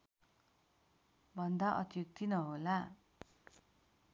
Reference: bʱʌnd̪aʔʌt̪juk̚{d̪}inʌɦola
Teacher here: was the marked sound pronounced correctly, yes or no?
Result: no